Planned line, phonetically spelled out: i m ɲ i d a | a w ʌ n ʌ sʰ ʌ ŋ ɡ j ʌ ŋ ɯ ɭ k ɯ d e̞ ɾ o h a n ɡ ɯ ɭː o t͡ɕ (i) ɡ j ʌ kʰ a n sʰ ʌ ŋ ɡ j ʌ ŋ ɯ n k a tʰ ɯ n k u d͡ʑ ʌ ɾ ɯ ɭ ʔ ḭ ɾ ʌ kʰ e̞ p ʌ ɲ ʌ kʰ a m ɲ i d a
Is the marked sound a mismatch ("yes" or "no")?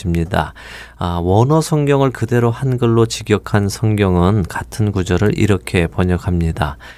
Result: no